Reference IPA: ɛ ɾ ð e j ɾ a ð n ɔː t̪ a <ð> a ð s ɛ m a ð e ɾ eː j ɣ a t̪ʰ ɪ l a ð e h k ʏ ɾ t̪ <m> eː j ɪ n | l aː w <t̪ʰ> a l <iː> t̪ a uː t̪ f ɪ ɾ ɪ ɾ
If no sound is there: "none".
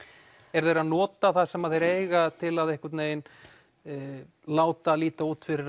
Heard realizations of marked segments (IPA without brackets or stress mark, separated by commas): θ, n, t̪, iː